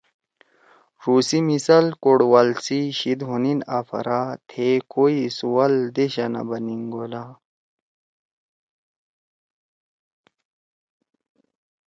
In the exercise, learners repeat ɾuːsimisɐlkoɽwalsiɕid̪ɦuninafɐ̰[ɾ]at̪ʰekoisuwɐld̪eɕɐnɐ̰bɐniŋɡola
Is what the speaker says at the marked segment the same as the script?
yes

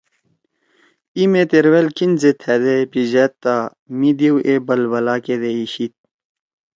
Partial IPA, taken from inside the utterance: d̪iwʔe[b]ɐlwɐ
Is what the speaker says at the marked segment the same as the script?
yes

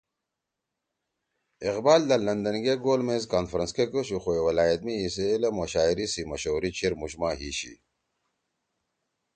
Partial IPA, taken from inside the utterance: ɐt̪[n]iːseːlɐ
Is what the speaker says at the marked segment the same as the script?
no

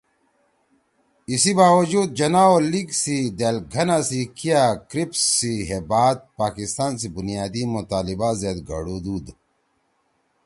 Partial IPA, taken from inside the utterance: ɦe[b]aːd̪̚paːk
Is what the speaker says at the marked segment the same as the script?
yes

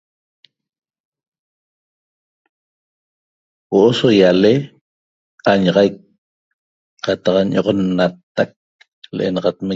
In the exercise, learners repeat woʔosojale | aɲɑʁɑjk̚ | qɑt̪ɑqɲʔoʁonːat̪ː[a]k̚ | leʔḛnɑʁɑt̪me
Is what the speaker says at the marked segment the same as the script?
yes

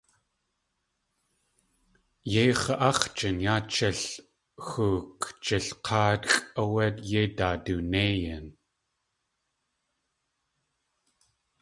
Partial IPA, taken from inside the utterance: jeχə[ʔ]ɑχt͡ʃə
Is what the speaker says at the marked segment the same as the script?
yes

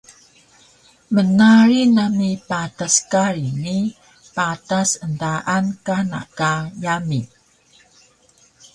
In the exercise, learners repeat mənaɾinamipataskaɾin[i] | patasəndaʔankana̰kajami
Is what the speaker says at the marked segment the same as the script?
yes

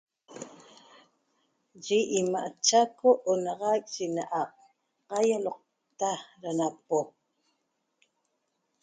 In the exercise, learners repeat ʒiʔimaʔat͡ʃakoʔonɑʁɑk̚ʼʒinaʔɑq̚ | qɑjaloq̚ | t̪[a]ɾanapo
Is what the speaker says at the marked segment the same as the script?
yes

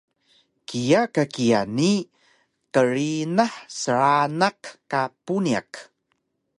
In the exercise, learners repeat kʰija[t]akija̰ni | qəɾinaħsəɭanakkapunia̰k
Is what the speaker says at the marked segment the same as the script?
no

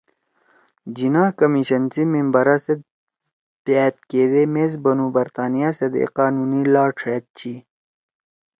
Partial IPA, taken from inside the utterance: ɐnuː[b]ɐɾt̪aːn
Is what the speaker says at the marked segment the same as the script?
yes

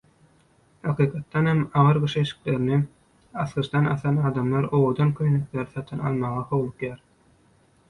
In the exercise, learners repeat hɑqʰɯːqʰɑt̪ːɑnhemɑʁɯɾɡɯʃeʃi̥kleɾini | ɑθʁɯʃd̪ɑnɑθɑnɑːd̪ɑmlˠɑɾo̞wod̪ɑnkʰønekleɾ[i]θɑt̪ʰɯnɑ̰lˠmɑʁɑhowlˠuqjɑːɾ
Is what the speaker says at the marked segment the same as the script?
yes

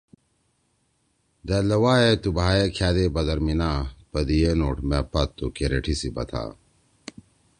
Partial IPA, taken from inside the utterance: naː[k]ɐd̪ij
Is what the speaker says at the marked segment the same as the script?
no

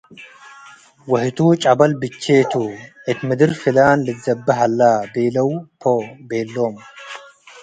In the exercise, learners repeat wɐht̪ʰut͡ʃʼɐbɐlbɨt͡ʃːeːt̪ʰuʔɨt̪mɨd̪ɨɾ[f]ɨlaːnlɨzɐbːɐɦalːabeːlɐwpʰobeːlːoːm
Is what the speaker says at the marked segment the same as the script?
yes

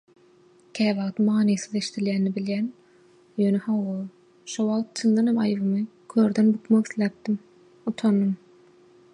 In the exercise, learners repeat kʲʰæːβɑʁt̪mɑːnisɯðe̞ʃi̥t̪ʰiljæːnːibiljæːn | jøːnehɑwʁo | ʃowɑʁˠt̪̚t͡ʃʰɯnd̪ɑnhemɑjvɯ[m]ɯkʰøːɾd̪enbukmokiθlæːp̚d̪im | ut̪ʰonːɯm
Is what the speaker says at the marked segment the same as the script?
yes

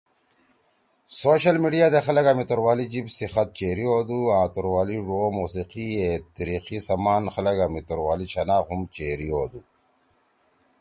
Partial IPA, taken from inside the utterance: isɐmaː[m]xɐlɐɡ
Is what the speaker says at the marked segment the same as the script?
no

